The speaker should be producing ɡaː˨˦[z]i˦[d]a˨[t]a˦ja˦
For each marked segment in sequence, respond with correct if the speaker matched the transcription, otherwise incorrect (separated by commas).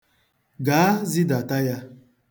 correct, correct, correct